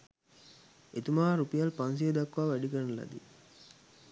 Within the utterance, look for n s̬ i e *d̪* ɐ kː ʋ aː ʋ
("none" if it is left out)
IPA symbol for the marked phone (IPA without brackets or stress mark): d̪